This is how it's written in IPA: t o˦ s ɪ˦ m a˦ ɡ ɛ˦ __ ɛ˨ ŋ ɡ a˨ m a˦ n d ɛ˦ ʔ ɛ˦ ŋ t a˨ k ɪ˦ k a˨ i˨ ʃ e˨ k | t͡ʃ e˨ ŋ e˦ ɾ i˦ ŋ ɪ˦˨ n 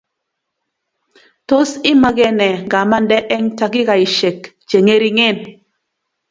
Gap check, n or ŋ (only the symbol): n